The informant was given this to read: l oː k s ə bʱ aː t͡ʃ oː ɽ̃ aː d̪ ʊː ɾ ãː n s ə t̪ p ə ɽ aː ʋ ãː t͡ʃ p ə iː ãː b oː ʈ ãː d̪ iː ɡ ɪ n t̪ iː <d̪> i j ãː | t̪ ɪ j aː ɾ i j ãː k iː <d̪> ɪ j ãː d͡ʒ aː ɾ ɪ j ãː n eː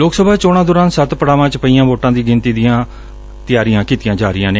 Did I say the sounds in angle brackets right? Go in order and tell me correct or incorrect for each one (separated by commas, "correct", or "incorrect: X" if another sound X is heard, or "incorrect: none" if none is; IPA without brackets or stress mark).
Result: correct, incorrect: t̪